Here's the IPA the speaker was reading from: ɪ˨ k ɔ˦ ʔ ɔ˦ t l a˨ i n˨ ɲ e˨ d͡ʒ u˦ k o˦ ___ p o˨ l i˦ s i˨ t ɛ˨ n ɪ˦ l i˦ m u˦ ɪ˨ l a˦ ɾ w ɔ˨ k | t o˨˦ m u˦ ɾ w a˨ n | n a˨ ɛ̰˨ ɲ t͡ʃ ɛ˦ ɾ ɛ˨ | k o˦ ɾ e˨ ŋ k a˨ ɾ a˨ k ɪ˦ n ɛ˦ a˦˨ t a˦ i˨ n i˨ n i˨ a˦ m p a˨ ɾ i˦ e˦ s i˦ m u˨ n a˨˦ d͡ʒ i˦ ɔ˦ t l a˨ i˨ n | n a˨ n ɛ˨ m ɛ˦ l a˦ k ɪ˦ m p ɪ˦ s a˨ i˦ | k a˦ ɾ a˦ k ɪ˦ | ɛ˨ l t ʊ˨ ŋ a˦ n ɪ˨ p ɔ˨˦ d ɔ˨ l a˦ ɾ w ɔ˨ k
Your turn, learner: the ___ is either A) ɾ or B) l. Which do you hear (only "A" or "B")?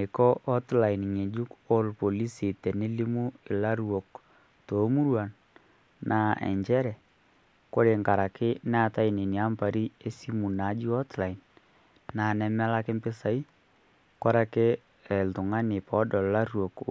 B